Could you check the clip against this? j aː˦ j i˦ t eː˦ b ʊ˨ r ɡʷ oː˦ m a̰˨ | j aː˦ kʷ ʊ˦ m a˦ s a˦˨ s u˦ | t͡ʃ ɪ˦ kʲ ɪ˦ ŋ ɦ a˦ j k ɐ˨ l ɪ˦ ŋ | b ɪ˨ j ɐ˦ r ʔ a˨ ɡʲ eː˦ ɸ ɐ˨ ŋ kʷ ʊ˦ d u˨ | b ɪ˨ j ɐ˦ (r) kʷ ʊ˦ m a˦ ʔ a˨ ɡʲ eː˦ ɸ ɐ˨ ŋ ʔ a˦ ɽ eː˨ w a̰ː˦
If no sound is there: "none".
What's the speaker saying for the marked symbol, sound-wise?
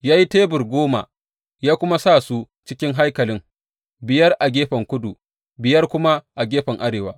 r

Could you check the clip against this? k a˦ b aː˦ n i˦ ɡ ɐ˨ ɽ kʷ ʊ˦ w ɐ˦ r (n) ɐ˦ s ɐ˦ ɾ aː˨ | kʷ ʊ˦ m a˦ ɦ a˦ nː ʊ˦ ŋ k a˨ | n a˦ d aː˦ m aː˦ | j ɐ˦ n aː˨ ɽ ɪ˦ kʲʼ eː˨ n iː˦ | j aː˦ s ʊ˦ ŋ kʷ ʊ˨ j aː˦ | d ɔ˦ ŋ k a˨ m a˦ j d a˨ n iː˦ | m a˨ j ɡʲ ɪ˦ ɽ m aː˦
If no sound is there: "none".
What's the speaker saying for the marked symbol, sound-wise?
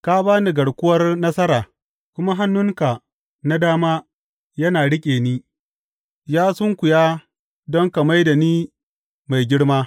n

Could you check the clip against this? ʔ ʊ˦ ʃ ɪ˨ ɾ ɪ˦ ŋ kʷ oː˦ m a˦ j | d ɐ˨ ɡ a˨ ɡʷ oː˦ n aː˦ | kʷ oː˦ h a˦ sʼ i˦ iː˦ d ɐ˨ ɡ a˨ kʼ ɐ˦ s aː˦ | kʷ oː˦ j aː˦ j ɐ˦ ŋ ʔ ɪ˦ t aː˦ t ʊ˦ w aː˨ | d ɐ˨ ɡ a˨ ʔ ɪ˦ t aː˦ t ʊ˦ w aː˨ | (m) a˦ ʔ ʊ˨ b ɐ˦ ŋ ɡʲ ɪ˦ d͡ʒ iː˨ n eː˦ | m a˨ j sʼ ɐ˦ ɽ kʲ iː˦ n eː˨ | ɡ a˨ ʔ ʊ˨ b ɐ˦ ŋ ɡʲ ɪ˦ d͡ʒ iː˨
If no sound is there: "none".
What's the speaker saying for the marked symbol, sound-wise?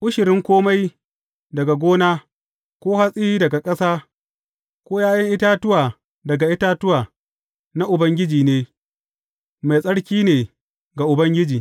n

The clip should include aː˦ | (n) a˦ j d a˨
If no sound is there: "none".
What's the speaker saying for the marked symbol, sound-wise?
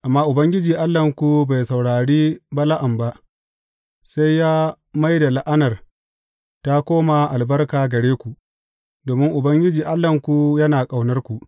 m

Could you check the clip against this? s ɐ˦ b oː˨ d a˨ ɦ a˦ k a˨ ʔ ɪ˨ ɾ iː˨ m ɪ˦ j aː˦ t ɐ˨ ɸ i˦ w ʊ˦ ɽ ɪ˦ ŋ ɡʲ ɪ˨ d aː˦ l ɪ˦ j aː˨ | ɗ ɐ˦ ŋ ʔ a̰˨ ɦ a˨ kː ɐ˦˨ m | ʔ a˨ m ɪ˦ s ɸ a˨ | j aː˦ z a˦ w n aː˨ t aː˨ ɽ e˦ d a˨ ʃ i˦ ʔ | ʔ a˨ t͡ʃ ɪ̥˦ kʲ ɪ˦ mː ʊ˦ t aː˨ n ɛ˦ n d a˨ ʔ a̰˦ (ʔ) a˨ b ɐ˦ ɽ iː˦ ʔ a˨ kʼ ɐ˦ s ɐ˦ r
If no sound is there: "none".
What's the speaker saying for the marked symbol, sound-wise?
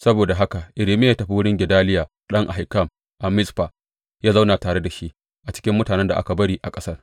k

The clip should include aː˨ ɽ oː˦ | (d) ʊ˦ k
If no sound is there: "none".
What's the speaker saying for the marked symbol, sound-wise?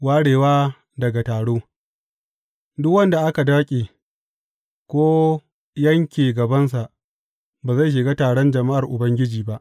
d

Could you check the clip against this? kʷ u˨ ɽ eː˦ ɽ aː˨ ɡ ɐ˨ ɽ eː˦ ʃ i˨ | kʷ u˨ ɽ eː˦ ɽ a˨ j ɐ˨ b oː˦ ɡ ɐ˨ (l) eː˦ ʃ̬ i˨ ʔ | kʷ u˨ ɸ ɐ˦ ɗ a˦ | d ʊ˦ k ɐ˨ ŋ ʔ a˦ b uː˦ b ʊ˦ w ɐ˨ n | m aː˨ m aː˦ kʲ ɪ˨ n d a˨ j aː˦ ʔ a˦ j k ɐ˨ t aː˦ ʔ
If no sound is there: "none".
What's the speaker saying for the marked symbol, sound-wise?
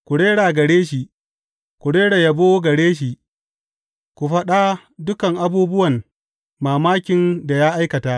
ɽ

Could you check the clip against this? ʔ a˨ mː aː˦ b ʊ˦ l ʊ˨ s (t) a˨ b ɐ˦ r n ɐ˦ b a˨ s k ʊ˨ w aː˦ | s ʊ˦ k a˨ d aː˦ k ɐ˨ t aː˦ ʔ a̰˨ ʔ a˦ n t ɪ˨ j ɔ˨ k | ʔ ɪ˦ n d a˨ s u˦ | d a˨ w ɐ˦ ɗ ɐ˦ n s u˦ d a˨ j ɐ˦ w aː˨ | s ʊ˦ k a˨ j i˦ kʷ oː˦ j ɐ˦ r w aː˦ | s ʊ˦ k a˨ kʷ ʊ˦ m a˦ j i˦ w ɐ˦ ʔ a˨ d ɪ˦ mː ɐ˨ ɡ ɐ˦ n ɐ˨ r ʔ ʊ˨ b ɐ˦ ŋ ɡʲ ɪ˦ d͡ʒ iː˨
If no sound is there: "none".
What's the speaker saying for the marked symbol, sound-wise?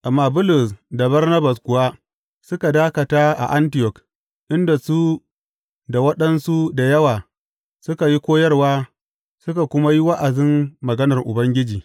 d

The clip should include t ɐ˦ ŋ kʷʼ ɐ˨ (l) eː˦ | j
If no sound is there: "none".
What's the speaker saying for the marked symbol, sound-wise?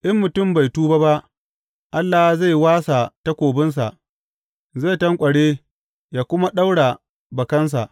ɽ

